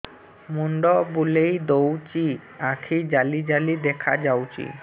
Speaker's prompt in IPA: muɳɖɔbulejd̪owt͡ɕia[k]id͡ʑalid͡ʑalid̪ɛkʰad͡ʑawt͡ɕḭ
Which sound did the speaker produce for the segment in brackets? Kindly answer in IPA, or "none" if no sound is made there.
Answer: kʰ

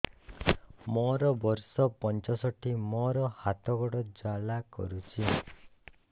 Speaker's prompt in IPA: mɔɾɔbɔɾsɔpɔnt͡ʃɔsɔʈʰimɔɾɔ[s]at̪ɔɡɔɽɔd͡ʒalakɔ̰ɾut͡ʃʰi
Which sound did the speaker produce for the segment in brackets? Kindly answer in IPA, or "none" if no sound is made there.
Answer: h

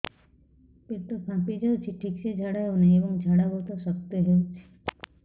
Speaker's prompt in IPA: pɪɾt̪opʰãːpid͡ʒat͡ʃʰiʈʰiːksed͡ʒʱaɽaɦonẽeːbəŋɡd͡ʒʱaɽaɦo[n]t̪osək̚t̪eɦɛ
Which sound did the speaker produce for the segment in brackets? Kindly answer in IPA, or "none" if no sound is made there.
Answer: none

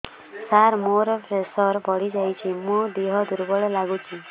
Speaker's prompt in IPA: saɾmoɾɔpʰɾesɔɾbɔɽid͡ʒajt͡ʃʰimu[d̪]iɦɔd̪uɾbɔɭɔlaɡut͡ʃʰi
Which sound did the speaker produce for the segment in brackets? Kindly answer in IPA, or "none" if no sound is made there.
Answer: d̪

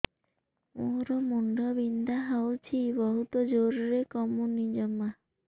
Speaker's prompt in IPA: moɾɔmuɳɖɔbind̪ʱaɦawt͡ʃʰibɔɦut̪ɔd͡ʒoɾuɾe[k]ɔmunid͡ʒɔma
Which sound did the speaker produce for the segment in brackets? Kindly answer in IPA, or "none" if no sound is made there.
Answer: k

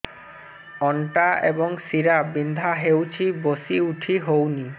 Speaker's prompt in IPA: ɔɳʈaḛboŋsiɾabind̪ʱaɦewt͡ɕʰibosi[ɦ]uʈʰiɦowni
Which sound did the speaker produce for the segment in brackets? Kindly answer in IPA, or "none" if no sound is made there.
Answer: none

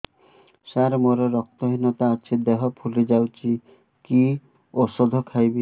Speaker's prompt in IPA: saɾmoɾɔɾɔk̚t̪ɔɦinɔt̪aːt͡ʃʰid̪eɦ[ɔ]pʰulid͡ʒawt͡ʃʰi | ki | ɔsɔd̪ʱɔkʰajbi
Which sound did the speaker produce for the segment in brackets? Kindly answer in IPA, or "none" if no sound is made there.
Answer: ɔ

